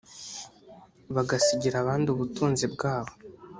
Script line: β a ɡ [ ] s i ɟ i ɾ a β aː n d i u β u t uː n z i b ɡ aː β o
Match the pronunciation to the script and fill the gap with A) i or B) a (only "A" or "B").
B